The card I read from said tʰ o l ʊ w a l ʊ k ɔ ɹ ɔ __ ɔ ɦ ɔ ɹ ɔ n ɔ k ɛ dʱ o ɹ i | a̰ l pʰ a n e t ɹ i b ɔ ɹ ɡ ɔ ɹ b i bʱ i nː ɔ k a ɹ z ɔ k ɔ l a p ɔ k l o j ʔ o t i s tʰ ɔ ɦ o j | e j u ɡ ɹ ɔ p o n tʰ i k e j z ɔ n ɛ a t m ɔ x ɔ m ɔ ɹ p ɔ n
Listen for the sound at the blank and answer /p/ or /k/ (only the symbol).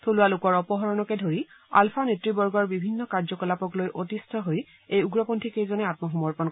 p